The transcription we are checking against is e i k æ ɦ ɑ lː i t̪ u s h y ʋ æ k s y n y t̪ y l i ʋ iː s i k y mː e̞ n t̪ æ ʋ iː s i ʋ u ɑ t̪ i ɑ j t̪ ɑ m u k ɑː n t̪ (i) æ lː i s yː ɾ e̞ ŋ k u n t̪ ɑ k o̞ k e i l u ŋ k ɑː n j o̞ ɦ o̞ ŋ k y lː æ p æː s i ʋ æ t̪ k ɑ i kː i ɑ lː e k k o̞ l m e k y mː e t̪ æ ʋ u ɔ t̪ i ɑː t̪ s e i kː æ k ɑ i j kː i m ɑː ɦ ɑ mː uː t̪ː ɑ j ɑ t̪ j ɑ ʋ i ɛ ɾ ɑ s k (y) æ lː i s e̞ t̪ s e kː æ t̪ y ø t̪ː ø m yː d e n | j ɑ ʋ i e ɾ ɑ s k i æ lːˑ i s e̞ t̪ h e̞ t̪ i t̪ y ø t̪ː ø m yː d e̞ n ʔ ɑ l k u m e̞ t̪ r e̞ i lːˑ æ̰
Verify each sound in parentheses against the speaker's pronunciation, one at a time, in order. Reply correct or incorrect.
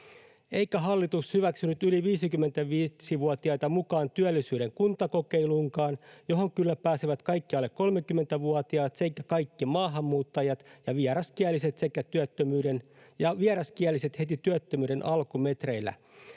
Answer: incorrect: y, incorrect: i

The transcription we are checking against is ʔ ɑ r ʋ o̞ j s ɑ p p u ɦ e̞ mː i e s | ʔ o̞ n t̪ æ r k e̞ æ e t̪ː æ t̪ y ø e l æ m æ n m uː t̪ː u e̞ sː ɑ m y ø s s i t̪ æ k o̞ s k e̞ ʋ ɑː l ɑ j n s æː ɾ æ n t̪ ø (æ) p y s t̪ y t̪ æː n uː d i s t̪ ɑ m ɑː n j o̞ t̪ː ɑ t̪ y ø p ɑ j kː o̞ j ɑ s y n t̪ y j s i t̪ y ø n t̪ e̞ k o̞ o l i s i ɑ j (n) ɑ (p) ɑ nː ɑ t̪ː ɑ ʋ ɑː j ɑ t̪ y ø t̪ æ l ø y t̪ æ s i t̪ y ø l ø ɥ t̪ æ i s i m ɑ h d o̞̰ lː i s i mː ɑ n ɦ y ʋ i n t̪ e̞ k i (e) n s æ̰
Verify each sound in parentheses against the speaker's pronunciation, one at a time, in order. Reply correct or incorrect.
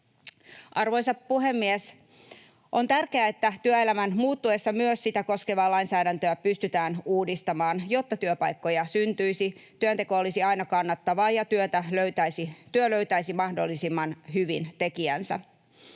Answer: correct, correct, incorrect: k, incorrect: æ

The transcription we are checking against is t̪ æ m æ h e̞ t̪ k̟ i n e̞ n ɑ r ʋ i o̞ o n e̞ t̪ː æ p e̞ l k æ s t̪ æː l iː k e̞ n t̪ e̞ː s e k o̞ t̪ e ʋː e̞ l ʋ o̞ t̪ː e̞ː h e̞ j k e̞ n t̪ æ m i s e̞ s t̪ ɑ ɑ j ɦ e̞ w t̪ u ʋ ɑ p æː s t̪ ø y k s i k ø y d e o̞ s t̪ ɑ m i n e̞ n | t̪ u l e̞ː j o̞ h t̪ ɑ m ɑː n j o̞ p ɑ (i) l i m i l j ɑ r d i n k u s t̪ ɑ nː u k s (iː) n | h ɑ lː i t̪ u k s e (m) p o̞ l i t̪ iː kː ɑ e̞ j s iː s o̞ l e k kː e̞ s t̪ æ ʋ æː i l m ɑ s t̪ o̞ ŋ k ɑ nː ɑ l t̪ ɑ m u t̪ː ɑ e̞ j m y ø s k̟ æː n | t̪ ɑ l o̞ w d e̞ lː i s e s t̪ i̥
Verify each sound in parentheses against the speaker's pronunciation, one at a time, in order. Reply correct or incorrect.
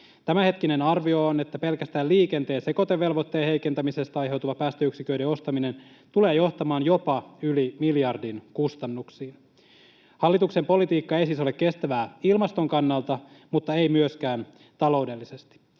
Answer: incorrect: y, correct, correct

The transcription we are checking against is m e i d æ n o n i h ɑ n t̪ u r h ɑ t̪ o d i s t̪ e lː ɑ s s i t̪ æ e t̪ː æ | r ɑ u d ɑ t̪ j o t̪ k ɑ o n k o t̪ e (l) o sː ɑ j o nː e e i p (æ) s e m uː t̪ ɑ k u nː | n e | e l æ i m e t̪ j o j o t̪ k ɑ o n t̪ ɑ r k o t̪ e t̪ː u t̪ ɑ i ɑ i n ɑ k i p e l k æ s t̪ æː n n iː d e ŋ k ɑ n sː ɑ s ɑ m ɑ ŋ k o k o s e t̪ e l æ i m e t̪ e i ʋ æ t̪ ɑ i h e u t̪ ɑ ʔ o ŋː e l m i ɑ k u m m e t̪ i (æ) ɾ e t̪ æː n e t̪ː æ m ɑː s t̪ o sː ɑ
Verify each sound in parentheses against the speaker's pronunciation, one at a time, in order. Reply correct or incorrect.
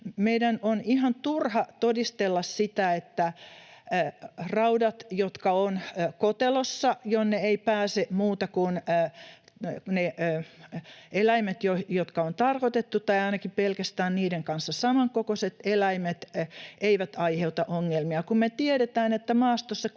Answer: correct, incorrect: æː, incorrect: e

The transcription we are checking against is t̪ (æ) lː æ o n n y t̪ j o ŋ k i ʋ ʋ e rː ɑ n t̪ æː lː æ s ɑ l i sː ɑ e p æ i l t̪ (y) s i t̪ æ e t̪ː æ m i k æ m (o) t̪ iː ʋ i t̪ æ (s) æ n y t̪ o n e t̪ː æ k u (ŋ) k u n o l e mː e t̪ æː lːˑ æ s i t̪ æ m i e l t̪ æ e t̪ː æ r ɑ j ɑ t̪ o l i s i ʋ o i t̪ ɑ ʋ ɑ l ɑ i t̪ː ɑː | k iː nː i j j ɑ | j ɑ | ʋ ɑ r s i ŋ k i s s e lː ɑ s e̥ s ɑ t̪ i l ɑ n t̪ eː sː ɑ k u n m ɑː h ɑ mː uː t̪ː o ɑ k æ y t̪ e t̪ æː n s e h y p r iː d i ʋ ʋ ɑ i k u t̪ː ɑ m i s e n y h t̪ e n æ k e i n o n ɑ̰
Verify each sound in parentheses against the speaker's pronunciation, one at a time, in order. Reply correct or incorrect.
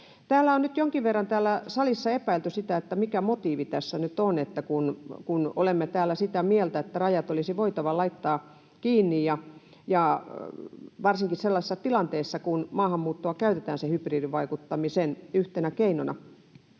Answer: incorrect: æː, correct, correct, incorrect: sː, incorrect: n

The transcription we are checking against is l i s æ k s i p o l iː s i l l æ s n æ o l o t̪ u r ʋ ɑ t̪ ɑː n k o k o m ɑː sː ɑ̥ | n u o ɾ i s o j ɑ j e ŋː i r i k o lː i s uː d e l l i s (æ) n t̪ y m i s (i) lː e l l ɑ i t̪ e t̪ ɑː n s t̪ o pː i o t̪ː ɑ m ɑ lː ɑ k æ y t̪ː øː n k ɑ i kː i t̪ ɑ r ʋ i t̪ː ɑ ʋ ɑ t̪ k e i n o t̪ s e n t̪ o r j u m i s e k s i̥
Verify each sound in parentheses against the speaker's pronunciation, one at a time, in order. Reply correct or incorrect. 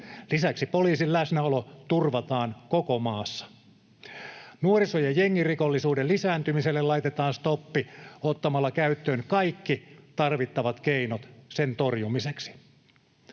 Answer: incorrect: æː, incorrect: e

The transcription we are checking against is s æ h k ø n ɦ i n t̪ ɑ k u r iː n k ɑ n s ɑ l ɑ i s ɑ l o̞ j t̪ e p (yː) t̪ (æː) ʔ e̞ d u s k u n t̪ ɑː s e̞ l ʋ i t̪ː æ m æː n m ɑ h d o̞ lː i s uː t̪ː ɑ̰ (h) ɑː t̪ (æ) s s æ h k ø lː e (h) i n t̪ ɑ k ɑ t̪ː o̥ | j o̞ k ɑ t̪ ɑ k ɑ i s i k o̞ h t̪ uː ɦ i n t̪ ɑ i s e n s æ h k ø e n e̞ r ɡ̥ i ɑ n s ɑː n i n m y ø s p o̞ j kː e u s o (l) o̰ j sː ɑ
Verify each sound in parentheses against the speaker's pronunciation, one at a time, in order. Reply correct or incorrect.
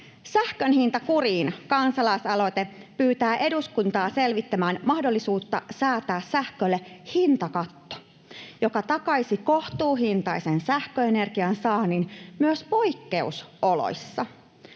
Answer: correct, correct, incorrect: s, incorrect: æː, correct, correct

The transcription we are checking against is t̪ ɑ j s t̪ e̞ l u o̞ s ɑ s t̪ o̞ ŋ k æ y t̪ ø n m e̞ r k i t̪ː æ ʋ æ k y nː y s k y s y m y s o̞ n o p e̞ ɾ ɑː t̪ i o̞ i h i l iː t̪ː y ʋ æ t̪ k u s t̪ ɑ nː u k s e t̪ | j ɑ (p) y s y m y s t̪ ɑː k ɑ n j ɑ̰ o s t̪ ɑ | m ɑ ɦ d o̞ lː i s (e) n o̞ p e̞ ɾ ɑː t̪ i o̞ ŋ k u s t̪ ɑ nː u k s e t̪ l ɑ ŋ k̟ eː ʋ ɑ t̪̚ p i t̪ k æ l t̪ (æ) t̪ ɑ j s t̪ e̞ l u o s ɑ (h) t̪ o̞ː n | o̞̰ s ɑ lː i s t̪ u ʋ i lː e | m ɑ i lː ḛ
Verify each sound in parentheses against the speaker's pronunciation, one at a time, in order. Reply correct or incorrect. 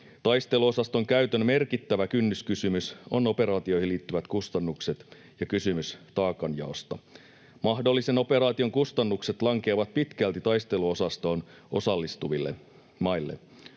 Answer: incorrect: k, correct, incorrect: i, incorrect: s

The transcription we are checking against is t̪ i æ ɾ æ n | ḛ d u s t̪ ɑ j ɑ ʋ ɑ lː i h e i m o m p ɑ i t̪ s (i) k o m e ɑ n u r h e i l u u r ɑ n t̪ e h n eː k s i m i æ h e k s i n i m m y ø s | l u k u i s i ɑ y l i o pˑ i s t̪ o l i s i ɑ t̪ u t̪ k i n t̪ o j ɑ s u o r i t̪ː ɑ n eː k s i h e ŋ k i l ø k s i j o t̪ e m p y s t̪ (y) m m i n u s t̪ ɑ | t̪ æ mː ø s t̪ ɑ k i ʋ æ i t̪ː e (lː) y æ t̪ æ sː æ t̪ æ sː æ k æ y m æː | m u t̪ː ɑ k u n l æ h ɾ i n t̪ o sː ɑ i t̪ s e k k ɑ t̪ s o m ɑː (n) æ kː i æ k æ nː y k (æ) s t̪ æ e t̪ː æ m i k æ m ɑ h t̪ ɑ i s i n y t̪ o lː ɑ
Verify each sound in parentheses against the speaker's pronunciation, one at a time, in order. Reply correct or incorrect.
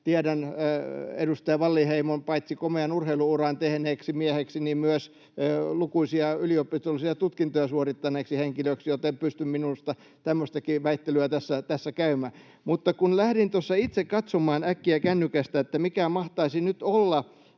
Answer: correct, correct, incorrect: l, correct, correct

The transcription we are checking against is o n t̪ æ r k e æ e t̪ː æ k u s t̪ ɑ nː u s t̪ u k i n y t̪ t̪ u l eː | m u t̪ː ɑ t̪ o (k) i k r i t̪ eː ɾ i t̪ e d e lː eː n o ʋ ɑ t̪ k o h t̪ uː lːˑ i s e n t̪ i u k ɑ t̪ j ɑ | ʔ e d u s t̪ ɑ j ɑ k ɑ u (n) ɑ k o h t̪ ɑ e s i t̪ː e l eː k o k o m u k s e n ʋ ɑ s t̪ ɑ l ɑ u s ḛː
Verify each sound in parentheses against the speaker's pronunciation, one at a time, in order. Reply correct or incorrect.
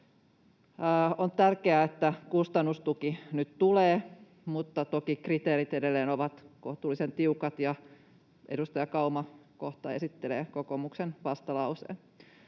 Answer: correct, incorrect: m

